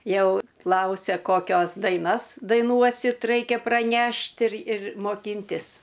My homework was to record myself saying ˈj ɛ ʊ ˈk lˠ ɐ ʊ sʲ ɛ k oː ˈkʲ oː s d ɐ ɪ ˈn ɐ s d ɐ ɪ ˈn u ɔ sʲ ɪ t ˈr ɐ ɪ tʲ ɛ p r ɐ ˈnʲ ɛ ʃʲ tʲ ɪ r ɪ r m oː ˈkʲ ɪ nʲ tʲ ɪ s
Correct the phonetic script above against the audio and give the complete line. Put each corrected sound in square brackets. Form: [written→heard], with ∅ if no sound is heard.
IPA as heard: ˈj ɛ ʊ ˈk lˠ ɐ ʊ sʲ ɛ k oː ˈkʲ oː s d ɐ ɪ ˈn ɐ s d ɐ ɪ ˈn u ɔ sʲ ɪ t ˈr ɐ ɪ [tʲ→kʲ] ɛ p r ɐ ˈnʲ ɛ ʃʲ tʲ ɪ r ɪ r m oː ˈkʲ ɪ nʲ tʲ ɪ s

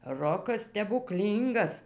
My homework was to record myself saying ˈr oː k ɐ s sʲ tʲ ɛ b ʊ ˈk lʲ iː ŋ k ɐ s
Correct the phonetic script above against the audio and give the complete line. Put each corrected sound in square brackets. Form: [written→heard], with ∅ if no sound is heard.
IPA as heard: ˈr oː k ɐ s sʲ tʲ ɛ b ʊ ˈk lʲ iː ŋ [k→ɡ] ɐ s

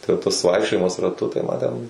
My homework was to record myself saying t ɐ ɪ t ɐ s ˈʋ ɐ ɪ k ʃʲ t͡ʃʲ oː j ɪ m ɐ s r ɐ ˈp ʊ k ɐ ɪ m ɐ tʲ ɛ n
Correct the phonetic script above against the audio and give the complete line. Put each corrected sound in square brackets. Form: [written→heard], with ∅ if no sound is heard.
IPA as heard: t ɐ ɪ t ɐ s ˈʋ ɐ ɪ k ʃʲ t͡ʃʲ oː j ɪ m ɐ s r ɐ [ˈp→ˈt] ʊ [k→t] ɐ ɪ m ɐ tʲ ɛ n

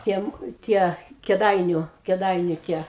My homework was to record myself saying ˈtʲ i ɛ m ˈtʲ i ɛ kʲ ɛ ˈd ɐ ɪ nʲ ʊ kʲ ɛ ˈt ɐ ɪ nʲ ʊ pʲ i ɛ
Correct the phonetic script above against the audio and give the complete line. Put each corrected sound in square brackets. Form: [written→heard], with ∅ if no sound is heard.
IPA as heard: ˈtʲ i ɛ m ˈtʲ i ɛ kʲ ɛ ˈd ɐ ɪ nʲ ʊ kʲ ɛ [ˈt→ˈd] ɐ ɪ nʲ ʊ [pʲ→tʲ] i ɛ

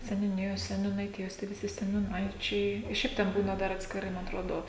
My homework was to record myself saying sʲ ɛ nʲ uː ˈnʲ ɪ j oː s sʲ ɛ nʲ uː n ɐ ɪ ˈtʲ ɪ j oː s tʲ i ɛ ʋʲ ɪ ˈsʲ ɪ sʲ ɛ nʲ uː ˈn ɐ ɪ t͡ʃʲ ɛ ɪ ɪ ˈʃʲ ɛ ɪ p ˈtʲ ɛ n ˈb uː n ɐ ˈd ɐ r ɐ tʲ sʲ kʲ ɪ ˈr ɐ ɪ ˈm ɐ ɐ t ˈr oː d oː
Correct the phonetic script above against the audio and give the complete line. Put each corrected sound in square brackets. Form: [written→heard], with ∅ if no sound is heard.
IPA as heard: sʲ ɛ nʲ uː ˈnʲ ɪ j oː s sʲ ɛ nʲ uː n ɐ ɪ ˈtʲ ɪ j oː s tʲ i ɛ ʋʲ ɪ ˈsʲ ɪ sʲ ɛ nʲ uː ˈn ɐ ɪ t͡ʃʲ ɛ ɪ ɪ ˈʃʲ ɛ ɪ p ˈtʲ ɛ n ˈb uː n ɐ ˈd ɐ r ɐ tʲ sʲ kʲ ɪ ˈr ɐ ɪ ˈm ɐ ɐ t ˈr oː d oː

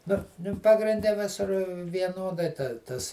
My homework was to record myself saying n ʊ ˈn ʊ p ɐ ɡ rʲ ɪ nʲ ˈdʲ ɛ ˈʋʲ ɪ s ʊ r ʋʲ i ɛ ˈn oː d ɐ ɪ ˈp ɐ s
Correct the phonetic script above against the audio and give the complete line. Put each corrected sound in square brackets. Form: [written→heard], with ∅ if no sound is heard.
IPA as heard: n ʊ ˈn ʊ p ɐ ɡ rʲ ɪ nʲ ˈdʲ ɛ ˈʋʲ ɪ s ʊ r ʋʲ i ɛ ˈn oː d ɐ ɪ [ˈp→ˈt] ɐ s

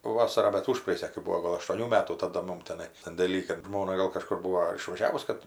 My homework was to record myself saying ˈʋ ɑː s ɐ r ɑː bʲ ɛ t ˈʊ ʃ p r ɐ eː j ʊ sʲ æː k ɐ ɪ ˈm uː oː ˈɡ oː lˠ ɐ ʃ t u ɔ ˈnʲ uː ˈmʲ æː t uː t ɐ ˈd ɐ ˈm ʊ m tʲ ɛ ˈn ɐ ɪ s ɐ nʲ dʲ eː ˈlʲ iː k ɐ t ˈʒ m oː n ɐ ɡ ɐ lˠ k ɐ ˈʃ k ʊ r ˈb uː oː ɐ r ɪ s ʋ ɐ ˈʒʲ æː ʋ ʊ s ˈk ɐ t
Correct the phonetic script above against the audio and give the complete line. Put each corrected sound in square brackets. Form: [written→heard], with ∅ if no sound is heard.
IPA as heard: ˈʋ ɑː s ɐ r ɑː bʲ ɛ t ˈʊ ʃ p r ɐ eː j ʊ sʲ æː k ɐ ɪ [ˈm→ˈb] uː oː ˈɡ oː lˠ ɐ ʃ t u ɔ ˈnʲ uː ˈmʲ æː t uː t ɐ ˈd ɐ ˈm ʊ m tʲ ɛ ˈn ɐ ɪ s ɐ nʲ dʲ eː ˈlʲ iː k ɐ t ˈʒ m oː n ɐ ɡ ɐ lˠ k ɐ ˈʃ k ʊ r ˈb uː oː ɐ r ɪ [s→ʃ] ʋ ɐ ˈʒʲ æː ʋ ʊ s ˈk ɐ t

